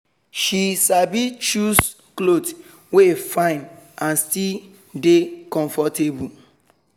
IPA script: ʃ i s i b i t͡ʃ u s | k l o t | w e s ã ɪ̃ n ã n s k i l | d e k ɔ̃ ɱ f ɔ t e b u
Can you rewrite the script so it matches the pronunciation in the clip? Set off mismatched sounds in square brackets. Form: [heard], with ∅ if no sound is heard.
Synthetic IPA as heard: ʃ i s [a] b i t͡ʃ u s | k l o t | w e [f] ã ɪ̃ n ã n s [t] i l | d e k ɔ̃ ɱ f ɔ t e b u